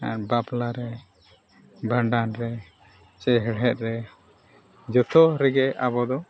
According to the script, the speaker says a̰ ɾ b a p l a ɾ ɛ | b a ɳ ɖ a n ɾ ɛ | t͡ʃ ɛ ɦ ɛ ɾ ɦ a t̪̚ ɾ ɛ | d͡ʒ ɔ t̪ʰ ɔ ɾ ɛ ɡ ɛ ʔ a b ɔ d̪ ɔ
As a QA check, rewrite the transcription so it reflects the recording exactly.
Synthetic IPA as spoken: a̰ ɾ b a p l a ɾ ɛ | b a ɳ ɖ a n ɾ ɛ | t͡ʃ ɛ ɦ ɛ ɽ ɦ ɛ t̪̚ ɾ ɛ | d͡ʒ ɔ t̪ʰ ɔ ɾ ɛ ɡ ɛ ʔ a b ɔ d̪ ɔ